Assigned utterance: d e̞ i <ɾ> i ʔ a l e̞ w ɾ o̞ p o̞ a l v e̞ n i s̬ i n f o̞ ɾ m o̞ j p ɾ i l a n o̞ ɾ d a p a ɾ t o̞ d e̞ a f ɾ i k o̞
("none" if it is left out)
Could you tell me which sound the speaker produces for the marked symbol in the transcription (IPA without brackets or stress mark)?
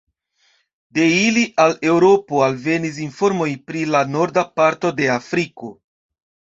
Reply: l